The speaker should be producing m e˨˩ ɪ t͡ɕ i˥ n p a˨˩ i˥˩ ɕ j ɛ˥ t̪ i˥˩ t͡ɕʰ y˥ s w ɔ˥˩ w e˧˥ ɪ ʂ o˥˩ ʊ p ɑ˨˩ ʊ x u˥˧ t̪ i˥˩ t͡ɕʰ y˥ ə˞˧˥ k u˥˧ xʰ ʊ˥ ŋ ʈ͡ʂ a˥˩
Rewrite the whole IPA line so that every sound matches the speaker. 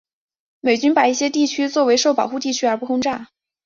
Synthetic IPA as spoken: m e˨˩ ɪ t͡ɕ y˥ n p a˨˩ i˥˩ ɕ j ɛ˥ t̪ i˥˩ t͡ɕʰ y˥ t͡s w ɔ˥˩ w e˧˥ ɪ ʂ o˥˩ ʊ p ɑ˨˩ ʊ x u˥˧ t̪ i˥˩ t͡ɕʰ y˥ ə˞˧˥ p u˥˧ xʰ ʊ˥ ŋ ʈ͡ʂ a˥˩